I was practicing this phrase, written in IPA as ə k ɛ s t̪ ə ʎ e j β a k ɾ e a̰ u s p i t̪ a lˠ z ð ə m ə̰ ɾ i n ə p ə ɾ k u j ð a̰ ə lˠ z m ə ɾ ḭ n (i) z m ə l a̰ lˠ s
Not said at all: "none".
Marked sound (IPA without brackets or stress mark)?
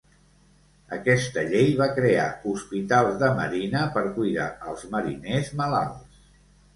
e